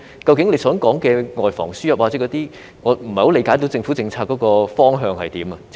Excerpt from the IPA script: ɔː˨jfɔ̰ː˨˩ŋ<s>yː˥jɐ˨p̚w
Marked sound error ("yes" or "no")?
no